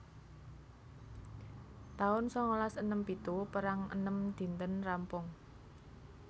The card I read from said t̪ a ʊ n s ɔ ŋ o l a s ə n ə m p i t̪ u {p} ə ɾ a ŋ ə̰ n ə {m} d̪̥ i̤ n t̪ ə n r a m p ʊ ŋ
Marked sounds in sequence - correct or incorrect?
correct, correct

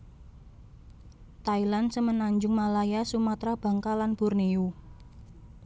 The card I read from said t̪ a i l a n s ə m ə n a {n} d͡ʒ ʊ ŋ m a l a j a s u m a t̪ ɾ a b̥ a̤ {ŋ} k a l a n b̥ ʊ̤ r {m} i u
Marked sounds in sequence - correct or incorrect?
incorrect, correct, incorrect

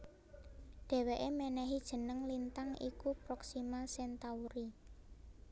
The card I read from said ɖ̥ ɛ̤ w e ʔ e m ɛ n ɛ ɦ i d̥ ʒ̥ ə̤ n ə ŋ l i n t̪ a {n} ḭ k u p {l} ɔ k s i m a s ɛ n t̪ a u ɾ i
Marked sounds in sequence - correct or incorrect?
incorrect, incorrect

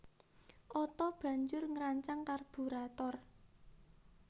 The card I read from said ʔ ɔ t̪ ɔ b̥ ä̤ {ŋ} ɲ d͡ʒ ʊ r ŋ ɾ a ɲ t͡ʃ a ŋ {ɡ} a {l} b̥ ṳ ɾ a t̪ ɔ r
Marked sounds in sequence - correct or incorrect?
incorrect, incorrect, incorrect

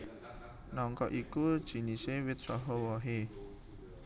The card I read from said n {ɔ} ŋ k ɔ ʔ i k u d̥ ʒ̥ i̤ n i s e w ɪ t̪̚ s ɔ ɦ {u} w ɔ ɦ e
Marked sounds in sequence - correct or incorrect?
correct, incorrect

